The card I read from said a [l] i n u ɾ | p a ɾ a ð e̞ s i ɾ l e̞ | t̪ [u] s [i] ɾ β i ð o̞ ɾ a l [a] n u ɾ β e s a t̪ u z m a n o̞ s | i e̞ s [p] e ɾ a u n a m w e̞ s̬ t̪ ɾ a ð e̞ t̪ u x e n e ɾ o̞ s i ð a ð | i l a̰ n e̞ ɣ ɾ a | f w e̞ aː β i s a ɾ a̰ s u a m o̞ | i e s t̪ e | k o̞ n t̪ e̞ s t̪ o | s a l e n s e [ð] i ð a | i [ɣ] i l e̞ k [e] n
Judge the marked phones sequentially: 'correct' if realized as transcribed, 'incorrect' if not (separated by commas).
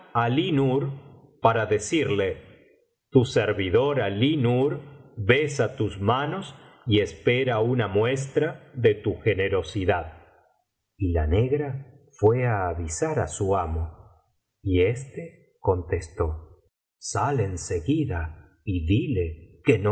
correct, correct, incorrect, incorrect, correct, incorrect, incorrect, correct